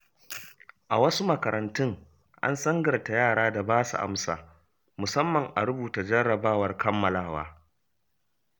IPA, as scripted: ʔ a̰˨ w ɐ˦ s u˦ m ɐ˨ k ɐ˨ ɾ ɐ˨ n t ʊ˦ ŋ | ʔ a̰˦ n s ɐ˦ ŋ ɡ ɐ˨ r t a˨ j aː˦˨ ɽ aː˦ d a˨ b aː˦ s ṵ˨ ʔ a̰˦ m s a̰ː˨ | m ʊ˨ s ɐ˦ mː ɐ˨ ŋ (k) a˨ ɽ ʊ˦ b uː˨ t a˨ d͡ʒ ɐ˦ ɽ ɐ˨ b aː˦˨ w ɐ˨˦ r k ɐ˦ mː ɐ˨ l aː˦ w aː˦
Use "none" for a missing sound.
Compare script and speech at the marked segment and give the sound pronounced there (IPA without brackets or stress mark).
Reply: ʔ